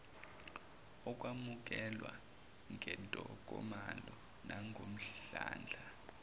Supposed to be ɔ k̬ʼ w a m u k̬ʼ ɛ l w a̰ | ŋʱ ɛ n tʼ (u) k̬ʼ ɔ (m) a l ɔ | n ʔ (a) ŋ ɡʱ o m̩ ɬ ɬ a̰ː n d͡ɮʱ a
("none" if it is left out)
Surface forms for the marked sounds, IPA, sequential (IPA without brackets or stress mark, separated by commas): ɔ, m, a